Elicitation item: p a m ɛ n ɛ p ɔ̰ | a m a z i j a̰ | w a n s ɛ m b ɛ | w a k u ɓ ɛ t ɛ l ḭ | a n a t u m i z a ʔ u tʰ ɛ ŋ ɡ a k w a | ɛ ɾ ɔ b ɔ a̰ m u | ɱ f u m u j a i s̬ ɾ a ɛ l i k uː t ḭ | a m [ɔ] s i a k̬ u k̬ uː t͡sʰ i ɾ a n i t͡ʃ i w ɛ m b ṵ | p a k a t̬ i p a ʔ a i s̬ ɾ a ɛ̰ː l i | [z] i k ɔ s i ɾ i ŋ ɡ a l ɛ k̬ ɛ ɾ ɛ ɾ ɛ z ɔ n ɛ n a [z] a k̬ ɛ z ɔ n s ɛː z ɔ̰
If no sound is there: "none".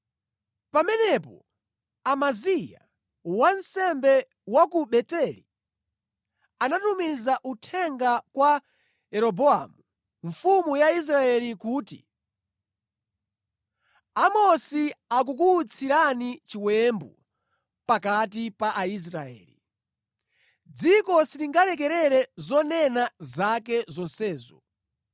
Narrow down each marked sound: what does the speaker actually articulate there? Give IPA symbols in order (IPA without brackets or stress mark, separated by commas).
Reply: ɔ, d͡z, z